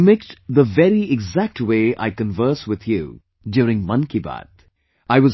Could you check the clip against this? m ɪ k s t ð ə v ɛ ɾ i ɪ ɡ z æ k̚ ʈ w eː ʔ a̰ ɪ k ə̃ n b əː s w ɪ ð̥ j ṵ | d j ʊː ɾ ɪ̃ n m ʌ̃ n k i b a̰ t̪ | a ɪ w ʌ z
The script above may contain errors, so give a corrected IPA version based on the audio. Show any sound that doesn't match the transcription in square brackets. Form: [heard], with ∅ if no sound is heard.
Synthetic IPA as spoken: m ɪ k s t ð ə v ɛ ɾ i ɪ ɡ z æ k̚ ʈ w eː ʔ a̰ ɪ k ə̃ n [v] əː s w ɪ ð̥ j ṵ | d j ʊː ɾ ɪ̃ [ŋ] m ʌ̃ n k i b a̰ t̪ | a ɪ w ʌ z